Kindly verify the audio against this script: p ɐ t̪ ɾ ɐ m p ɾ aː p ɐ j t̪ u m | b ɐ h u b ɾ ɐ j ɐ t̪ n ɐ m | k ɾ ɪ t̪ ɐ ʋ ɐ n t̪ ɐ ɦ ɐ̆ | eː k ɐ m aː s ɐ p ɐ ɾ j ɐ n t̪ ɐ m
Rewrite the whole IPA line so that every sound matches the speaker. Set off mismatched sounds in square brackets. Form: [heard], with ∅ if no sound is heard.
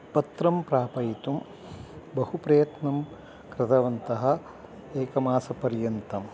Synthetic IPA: p ɐ t̪ ɾ ɐ m p ɾ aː p ɐ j t̪ u m | b ɐ h u [p] ɾ ɐ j ɐ t̪ n ɐ m | k ɾ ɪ t̪ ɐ ʋ ɐ n t̪ ɐ ɦ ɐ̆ | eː k ɐ m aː s ɐ p ɐ ɾ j ɐ n t̪ ɐ m